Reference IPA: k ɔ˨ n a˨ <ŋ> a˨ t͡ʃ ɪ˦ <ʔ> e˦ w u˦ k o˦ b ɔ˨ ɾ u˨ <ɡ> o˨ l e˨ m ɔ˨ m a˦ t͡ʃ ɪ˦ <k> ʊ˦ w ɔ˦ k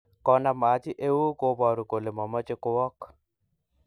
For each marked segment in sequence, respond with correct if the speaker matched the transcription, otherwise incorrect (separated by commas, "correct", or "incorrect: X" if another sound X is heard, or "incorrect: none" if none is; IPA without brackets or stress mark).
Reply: incorrect: m, correct, incorrect: k, correct